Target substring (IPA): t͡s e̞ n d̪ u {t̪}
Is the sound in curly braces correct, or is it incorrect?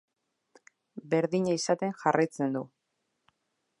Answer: incorrect